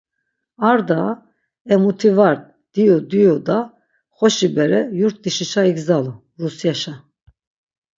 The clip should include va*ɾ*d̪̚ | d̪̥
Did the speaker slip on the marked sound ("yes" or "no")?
no